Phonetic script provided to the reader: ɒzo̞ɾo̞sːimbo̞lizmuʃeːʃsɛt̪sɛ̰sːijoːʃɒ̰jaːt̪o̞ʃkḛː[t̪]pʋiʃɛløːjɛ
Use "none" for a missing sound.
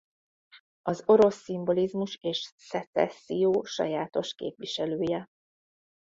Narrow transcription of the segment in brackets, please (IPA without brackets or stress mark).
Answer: none